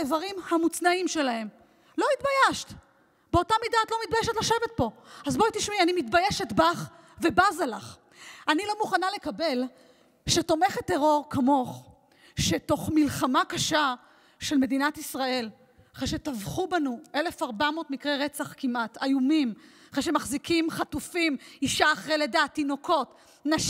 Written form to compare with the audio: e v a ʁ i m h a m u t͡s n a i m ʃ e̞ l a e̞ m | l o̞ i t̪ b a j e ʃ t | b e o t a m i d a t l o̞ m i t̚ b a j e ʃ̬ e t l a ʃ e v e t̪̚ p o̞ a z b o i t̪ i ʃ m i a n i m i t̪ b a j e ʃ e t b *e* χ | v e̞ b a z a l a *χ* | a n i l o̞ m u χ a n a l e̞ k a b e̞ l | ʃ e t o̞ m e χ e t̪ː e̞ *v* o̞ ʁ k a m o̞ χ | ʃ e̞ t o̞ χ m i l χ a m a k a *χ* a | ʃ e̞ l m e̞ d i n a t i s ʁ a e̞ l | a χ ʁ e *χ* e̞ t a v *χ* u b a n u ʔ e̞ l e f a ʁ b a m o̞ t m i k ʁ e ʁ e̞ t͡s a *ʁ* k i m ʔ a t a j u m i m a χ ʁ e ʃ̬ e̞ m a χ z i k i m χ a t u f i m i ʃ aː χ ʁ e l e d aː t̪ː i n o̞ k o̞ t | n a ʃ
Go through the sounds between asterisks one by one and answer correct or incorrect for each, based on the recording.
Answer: incorrect, correct, incorrect, incorrect, incorrect, correct, incorrect

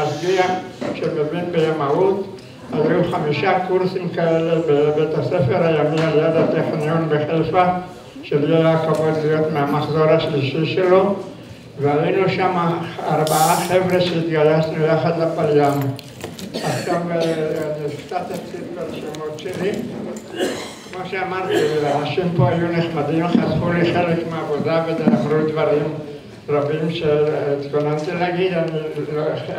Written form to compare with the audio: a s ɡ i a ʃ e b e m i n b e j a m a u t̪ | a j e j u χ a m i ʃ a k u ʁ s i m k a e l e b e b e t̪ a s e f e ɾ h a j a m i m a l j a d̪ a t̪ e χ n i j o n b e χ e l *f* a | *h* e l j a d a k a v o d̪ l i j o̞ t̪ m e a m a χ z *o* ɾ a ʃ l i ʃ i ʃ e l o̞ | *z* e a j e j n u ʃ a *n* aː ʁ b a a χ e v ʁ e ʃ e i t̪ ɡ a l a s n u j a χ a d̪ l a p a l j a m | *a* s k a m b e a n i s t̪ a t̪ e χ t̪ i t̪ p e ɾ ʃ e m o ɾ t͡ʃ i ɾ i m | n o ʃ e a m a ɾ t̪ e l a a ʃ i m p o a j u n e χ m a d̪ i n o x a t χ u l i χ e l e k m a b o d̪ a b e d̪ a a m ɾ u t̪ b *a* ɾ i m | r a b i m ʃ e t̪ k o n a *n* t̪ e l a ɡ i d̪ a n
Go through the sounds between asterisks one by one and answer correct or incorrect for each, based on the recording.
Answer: correct, incorrect, correct, incorrect, incorrect, correct, correct, correct

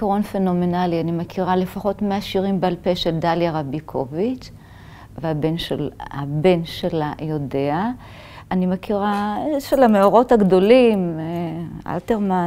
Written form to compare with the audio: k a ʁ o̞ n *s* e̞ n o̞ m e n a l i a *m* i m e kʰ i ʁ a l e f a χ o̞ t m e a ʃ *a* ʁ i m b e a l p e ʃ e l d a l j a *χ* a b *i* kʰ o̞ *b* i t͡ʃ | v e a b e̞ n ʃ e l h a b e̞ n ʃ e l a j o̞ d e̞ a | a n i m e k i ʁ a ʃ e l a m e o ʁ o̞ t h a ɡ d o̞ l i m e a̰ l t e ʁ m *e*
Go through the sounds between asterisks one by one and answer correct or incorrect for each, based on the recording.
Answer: incorrect, incorrect, incorrect, incorrect, correct, incorrect, incorrect

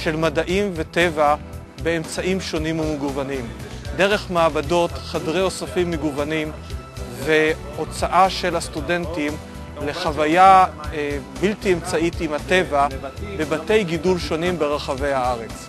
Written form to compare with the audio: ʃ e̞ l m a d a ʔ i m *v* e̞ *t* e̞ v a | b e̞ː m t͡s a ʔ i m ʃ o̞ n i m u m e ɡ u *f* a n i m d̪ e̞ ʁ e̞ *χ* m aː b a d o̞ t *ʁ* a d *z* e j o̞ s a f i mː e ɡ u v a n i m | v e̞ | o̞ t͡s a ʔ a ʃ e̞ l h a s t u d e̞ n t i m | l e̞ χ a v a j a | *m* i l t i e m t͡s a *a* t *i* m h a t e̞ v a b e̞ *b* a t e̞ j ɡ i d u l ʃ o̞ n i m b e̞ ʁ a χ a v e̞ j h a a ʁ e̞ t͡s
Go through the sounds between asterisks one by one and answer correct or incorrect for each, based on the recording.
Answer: correct, correct, incorrect, correct, incorrect, incorrect, incorrect, incorrect, correct, correct

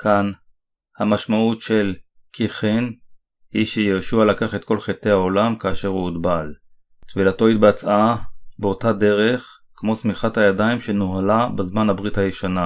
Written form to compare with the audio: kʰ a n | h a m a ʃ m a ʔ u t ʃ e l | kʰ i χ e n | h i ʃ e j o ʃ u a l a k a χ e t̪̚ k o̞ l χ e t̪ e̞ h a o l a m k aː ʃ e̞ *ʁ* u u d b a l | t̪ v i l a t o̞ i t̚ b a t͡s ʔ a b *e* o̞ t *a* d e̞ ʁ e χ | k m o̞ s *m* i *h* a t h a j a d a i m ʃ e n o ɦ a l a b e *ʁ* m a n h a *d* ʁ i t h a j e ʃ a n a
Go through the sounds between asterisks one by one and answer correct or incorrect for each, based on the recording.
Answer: correct, correct, correct, correct, incorrect, incorrect, incorrect

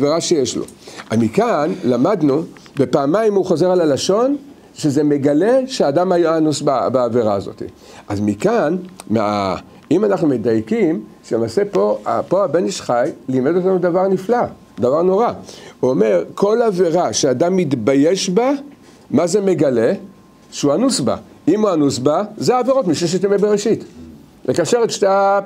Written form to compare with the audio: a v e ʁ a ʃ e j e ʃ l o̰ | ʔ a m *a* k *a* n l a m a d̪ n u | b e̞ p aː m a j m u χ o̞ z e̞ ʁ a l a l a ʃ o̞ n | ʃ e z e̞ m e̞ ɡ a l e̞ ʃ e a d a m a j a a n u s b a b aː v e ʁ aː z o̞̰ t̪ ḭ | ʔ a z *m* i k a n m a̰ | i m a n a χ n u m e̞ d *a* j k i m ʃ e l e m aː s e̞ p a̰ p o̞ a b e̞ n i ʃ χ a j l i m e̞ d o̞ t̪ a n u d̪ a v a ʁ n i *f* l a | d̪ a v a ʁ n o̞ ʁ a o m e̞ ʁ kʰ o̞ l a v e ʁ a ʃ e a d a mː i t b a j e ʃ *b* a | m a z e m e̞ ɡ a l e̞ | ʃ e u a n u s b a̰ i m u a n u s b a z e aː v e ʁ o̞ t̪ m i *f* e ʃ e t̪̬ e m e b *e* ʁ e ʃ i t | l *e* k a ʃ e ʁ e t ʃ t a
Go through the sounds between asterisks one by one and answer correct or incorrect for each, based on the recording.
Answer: incorrect, correct, correct, correct, correct, correct, incorrect, correct, correct

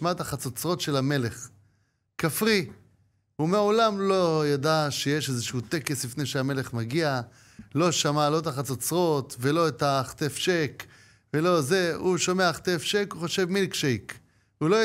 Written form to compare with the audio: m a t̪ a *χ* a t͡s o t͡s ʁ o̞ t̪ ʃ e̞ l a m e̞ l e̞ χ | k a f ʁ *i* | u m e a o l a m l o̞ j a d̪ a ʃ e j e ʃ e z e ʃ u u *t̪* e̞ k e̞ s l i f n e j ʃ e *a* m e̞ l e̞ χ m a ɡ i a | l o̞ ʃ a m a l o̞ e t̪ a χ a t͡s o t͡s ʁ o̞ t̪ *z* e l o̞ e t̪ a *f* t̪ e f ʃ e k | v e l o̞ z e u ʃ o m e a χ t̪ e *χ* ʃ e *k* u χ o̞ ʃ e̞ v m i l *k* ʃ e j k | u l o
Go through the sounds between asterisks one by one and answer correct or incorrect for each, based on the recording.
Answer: correct, correct, correct, correct, incorrect, incorrect, incorrect, correct, correct

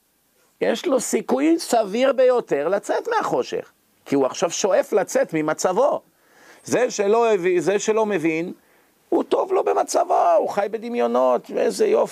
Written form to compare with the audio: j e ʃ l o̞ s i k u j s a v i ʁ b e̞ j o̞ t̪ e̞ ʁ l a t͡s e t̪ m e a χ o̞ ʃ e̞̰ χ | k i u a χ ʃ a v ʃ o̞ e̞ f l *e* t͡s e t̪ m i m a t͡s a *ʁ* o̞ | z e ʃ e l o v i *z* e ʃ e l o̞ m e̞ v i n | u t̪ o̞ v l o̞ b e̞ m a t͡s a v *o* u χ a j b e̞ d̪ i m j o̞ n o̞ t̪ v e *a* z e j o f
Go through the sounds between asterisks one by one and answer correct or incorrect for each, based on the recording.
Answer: incorrect, incorrect, correct, correct, incorrect

